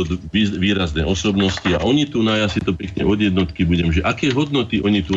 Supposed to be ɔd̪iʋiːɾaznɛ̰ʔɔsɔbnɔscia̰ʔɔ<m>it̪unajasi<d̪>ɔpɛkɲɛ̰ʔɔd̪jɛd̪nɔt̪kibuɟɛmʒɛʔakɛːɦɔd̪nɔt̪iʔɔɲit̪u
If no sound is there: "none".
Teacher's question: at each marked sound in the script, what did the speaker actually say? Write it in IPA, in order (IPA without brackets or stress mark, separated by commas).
ɲ, t̪